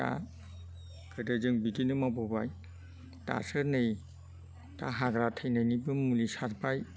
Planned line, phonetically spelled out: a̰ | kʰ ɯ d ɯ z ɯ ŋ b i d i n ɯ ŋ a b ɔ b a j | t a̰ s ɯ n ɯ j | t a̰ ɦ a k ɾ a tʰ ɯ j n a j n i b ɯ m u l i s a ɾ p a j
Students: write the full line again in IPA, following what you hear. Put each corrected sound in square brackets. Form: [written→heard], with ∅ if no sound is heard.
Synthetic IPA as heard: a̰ | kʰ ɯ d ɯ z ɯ ŋ b i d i n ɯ [ŋ→m] a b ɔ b a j | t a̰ s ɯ n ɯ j | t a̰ ɦ a [k→ɡ] ɾ a tʰ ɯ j n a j n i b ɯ m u l i s a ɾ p a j